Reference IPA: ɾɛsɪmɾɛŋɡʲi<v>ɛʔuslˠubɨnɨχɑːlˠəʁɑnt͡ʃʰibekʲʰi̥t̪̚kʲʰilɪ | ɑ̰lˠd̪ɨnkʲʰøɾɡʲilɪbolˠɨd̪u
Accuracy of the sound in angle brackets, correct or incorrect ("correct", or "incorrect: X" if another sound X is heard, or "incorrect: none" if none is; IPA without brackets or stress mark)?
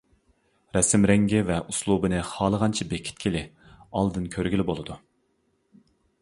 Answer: correct